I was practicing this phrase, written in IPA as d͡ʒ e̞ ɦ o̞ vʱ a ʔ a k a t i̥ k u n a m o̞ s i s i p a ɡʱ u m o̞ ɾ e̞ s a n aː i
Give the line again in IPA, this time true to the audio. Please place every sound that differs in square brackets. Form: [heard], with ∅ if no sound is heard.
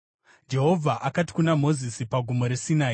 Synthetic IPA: d͡ʒ e̞ ɦ o̞ vʱ a ʔ a k a t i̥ k u n a m o̞ [z] i s i p a ɡʱ u m o̞ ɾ e̞ s [i] n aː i